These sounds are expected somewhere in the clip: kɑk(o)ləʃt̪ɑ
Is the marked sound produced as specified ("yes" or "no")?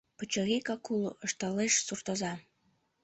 no